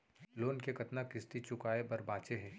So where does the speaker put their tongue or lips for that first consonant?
tongue tip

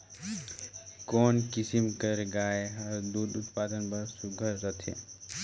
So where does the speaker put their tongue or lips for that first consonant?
velum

